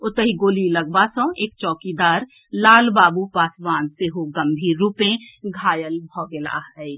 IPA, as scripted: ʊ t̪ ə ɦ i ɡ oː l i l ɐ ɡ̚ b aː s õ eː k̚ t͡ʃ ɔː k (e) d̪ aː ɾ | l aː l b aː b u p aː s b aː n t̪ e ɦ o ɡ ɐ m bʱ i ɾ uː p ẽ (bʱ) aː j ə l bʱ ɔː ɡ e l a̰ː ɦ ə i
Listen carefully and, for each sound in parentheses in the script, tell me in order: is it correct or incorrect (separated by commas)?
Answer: incorrect, incorrect